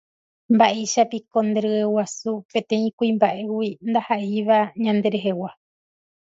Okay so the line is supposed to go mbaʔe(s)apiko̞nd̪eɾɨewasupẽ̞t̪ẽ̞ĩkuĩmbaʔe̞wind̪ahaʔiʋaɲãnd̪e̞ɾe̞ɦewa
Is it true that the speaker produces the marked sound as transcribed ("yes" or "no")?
no